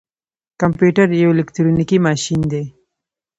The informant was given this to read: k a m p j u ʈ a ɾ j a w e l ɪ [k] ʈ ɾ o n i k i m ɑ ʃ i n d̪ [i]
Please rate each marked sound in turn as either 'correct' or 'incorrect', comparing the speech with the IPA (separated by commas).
correct, incorrect